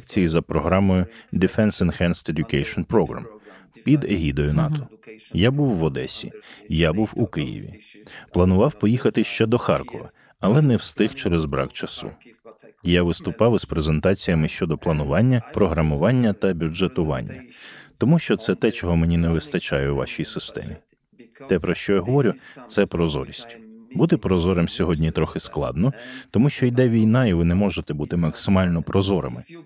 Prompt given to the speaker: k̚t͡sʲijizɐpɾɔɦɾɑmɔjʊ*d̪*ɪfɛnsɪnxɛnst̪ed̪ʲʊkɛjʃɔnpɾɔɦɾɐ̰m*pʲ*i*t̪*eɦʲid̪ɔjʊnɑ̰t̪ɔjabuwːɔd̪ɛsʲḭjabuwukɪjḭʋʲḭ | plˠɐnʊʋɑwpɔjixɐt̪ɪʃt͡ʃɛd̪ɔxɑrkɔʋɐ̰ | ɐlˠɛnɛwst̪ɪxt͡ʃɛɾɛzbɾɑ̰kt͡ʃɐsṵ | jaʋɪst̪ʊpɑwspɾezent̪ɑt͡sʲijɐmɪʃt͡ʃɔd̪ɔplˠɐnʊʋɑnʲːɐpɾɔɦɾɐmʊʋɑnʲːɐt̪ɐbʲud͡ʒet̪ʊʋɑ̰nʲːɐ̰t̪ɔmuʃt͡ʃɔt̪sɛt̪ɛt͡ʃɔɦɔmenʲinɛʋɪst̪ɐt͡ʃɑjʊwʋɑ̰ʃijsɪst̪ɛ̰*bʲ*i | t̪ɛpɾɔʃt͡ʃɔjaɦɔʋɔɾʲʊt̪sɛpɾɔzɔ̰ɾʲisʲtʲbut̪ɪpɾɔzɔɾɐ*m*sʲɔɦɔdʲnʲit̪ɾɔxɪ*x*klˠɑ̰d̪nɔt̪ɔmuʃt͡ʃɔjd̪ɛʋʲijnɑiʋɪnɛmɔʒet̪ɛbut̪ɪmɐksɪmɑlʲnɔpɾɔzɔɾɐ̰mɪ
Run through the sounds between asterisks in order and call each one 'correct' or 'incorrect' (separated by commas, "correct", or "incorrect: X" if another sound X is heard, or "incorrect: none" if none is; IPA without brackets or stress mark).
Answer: correct, correct, incorrect: d̪, incorrect: mʲ, correct, incorrect: s